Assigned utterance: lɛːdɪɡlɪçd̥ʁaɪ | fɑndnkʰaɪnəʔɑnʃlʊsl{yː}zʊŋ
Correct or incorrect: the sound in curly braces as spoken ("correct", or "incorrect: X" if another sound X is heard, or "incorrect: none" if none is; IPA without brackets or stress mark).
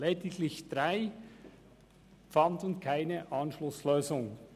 incorrect: øː